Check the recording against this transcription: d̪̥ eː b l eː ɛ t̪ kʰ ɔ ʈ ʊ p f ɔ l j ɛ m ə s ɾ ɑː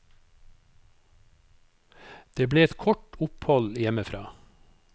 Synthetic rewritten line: d̪̥ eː b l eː ɛ t̪ kʰ ɔ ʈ ʊ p h ɔ l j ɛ m ə f ɾ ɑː